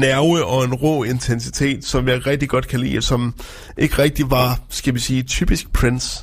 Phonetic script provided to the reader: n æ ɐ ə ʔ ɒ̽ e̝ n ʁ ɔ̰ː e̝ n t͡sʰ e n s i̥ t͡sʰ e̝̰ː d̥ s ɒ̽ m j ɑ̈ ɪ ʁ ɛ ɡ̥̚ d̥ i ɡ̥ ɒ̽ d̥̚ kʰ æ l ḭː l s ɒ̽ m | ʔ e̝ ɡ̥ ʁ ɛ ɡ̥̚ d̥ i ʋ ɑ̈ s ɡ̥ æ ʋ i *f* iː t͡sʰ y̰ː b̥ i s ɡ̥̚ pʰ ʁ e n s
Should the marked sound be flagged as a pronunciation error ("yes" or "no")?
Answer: yes